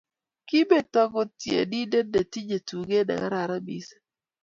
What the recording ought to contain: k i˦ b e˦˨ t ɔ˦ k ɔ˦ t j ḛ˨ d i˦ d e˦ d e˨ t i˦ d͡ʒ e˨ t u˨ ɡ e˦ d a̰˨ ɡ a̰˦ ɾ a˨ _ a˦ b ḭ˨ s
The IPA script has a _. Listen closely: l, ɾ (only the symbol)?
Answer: ɾ